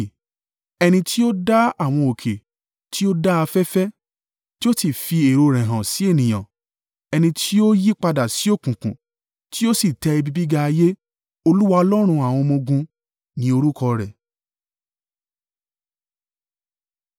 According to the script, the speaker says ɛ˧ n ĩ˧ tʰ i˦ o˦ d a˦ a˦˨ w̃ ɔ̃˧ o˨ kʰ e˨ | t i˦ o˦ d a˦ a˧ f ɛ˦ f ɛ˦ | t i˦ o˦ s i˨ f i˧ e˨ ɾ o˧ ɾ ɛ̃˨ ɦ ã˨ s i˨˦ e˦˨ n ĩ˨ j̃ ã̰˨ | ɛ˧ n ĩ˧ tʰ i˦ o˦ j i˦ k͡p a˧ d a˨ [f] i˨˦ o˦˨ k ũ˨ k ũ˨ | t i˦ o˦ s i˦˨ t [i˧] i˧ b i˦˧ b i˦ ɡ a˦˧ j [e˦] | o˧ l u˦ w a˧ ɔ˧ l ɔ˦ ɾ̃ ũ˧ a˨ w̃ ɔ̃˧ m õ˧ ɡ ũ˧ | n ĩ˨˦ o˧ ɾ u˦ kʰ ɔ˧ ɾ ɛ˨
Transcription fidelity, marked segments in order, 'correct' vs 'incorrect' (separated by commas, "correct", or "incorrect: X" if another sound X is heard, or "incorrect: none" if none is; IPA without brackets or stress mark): incorrect: s, incorrect: ɛ˧, correct